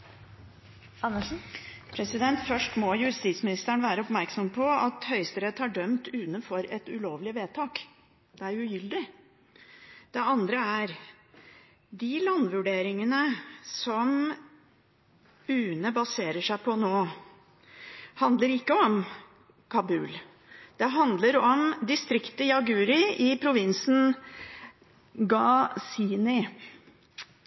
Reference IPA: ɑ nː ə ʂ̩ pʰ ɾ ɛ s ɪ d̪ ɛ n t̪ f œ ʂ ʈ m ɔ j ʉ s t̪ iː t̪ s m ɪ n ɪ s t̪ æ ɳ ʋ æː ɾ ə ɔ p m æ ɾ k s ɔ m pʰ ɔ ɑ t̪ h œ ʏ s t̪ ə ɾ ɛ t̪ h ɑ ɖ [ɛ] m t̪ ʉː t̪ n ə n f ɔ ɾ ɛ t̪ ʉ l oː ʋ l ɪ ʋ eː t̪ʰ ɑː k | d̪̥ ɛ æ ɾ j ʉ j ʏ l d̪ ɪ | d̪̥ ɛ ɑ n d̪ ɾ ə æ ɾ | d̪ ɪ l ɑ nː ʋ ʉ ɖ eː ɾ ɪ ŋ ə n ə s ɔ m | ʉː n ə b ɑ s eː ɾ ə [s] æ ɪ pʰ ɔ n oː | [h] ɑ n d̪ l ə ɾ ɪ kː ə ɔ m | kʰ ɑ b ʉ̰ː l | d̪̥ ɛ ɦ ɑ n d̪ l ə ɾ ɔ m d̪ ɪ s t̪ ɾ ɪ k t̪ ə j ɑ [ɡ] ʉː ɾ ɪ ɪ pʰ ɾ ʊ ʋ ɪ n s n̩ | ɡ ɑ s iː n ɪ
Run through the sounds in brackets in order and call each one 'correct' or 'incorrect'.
incorrect, incorrect, correct, correct

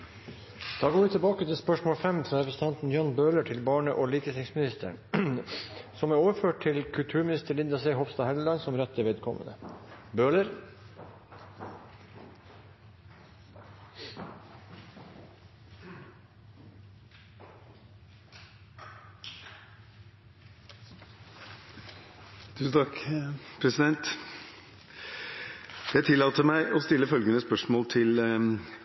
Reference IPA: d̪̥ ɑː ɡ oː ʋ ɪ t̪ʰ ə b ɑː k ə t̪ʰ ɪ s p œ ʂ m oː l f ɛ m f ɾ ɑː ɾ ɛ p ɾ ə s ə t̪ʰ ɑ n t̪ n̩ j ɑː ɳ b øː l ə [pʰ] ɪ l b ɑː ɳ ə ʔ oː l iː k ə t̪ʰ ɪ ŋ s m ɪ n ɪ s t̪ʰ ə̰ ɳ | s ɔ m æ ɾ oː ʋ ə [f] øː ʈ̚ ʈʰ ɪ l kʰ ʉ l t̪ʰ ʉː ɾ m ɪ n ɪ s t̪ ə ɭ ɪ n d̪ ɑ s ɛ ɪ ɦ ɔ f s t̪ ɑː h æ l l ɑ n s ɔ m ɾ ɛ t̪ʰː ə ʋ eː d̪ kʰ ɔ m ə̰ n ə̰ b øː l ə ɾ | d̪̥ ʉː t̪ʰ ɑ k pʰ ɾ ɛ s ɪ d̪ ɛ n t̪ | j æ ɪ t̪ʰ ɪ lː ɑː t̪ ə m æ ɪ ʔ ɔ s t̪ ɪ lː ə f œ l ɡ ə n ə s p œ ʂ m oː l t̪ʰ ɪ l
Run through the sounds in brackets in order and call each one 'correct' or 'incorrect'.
incorrect, correct

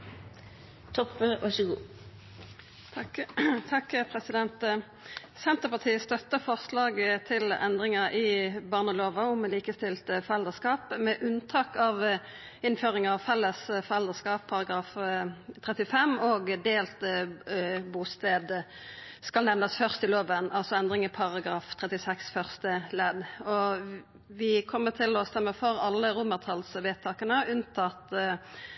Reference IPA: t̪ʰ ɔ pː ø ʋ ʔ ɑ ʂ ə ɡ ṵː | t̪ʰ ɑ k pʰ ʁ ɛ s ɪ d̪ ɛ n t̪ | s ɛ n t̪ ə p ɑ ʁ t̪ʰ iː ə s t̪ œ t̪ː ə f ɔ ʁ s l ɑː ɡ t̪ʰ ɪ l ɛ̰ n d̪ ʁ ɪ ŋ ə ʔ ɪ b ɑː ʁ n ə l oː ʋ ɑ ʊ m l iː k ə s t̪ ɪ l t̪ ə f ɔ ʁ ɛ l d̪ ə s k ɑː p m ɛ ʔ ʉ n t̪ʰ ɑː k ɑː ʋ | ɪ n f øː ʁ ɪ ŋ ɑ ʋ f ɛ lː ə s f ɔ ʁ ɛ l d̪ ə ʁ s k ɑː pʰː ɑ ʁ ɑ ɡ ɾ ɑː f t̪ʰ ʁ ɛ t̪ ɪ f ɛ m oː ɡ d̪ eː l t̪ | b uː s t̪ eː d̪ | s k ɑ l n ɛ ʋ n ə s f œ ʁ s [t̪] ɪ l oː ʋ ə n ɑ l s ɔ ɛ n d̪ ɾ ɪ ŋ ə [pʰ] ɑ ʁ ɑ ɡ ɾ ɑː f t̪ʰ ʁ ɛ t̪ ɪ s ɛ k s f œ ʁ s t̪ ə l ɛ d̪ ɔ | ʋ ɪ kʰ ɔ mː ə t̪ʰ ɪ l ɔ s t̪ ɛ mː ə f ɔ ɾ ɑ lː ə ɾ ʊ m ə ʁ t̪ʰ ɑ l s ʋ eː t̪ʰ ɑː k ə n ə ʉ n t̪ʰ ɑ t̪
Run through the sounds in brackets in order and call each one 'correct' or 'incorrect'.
correct, correct

